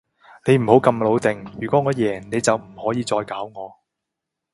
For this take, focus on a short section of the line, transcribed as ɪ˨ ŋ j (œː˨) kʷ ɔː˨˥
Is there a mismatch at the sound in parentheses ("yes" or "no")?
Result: yes